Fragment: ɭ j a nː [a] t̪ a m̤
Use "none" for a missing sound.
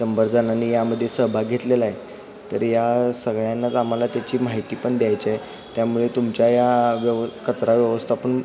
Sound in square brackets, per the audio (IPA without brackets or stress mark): a